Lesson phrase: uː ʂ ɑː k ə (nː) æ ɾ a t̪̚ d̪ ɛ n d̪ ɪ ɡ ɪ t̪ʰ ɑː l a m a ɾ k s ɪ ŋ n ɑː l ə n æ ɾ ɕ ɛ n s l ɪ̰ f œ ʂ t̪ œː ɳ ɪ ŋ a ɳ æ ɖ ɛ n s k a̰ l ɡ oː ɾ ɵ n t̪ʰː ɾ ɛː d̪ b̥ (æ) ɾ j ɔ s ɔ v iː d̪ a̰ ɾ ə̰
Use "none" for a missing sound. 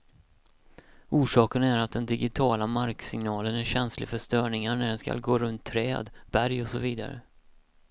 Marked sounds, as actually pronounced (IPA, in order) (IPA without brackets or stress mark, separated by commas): n, æ